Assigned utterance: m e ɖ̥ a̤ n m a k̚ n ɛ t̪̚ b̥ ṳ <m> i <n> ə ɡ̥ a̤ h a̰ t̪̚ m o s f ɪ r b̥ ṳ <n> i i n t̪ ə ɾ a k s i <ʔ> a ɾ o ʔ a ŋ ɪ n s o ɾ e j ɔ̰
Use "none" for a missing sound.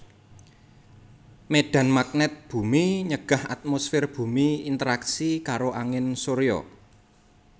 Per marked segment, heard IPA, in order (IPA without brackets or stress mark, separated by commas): m, ɲ, m, k